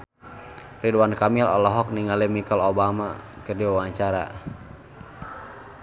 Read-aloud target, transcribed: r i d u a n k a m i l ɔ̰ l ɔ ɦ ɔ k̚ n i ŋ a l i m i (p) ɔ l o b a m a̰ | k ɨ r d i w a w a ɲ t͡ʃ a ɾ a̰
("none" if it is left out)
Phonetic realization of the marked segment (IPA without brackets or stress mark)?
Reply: k